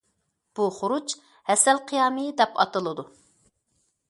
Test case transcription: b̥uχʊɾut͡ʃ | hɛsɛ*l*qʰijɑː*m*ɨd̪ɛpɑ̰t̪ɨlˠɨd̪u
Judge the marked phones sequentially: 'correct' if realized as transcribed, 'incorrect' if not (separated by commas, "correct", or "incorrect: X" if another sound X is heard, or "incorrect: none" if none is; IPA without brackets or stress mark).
correct, correct